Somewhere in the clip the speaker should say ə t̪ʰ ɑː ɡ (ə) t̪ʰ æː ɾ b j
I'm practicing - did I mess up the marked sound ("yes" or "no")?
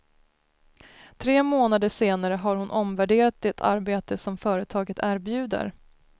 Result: no